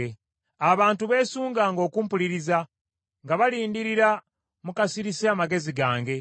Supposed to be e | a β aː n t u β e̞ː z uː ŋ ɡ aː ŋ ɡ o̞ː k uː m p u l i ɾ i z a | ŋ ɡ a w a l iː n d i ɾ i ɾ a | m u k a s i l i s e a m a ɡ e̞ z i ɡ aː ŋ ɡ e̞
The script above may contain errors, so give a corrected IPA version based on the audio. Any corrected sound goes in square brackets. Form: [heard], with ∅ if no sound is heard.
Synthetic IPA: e | a β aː n t u β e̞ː [s] uː ŋ ɡ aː ŋ ɡ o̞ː k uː m p u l i ɾ i z a | ŋ ɡ a [β] a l iː n d i ɾ i ɾ a | m u k a s i [ɾ] i s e a m a ɡ e̞ z i ɡ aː ŋ ɡ e̞